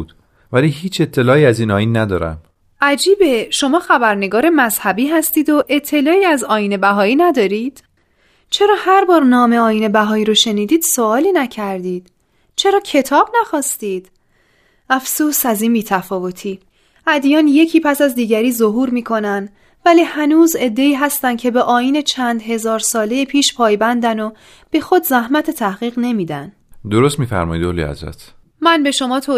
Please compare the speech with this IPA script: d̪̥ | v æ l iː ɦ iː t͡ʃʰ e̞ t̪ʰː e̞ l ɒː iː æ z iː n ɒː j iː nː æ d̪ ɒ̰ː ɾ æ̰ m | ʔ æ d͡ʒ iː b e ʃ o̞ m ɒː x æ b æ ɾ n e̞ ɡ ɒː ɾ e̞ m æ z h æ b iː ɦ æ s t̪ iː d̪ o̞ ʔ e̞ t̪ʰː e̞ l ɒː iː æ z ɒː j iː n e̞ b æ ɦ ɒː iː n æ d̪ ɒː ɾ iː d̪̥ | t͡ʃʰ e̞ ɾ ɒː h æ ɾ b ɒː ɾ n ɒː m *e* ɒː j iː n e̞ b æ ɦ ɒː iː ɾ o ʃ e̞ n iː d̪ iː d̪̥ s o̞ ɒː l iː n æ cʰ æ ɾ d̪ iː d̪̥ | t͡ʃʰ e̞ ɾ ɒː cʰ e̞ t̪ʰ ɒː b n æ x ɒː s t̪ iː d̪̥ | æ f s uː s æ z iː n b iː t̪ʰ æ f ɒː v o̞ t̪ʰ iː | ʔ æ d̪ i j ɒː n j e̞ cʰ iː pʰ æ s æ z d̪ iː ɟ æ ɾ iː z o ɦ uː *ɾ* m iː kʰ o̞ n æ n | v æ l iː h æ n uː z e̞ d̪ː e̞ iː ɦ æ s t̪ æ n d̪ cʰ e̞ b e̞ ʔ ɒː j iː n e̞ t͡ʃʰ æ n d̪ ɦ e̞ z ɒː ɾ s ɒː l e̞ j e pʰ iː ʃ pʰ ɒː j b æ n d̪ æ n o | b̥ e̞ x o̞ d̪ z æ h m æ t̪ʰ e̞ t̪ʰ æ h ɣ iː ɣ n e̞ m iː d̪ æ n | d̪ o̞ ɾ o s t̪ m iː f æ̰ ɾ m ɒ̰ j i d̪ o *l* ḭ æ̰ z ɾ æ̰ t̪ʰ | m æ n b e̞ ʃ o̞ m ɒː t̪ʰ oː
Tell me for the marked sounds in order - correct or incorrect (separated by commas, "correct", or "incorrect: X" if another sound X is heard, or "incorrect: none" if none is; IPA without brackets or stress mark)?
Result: correct, correct, correct